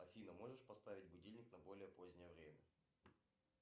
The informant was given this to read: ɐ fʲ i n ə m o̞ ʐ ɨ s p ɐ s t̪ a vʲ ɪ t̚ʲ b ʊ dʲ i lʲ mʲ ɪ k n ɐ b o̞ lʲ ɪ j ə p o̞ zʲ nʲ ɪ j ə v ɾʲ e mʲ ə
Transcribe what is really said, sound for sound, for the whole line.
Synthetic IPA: ɐ fʲ i n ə m o̞ ʐ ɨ ʂ p ɐ s t̪ a vʲ ɪ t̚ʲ b ʊ dʲ i lʲ nʲ ɪ k n ɐ b o̞ lʲ ɪ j ə p o̞ zʲ nʲ ɪ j ə v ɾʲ e mʲ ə